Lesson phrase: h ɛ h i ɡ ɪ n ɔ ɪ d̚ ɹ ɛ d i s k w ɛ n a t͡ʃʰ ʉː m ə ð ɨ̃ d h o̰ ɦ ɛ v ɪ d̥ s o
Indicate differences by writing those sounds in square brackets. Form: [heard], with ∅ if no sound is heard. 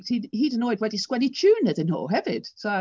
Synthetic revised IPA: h [i] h i [d] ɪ n ɔ ɪ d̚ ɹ ɛ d i s k w ɛ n [i] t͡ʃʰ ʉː [n] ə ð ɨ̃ [n] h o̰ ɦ ɛ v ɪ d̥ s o